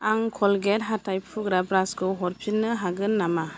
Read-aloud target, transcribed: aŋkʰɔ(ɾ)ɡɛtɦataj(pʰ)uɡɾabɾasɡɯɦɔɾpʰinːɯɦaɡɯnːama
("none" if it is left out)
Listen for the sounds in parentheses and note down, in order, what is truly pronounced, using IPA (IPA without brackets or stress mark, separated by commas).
l, pʰ